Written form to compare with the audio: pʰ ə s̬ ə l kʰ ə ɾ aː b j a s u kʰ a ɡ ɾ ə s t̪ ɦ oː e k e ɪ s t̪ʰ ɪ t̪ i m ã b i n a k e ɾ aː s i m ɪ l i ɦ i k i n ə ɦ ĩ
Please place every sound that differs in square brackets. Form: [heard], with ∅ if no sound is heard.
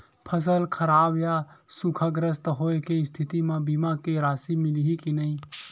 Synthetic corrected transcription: pʰ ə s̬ ə l kʰ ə ɾ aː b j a s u kʰ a ɡ ɾ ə s t̪ ɦ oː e k e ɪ s t̪ʰ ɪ t̪ i m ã b i [m] a k e ɾ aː s i m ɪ l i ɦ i k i n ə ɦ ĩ